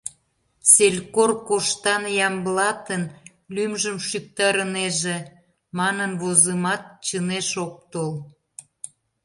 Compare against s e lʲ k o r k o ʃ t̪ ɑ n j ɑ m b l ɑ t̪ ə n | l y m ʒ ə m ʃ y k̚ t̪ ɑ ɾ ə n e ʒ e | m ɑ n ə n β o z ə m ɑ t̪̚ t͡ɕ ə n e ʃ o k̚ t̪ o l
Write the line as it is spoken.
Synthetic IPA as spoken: s e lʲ k o r k o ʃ t̪ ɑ n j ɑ m b l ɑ t̪ ə n | l y m ʒ ə m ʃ y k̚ t̪ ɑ ɾ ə n e ʒ e | m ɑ n ə n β o z ə m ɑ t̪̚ t͡ɕ ə n e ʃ o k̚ t̪ o l